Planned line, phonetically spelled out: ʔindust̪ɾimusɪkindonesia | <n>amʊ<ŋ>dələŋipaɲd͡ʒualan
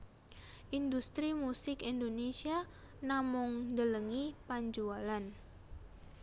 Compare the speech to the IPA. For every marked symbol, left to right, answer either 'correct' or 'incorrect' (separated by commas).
correct, correct